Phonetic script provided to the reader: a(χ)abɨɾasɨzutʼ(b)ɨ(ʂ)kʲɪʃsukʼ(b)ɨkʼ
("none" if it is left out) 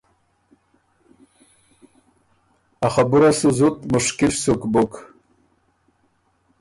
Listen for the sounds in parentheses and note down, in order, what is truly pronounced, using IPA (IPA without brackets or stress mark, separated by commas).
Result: χ, m, ʂ, b